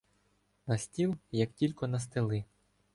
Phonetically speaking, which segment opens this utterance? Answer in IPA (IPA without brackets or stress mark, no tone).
n